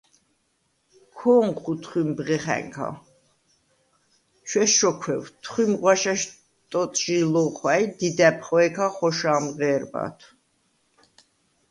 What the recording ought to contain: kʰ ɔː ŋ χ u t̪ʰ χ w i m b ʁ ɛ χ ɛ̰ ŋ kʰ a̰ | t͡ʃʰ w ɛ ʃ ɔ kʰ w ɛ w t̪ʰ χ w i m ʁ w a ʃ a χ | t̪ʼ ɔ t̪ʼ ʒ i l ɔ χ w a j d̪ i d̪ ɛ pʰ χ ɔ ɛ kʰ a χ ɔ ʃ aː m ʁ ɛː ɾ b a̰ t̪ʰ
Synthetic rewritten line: kʰ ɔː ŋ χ u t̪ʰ χ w i m b ʁ ɛ χ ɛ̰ ŋ kʰ a̰ | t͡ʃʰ w ɛ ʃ ɔ kʰ w ɛ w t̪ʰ χ w i m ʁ w a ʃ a ʃ | t̪ʼ ɔ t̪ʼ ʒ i l ɔ χ w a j d̪ i d̪ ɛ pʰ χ ɔ ɛ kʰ a χ ɔ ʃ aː m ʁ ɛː ɾ b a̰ t̪ʰ